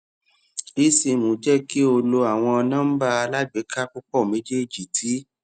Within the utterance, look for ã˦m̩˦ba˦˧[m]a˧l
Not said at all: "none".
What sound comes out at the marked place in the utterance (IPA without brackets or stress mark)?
none